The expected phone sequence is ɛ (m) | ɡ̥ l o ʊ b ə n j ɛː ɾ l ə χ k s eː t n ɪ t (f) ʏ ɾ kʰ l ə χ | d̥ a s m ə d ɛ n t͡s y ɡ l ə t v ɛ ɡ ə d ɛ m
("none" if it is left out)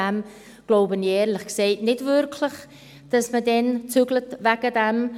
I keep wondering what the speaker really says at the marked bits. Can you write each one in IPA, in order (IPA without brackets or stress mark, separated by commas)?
m, v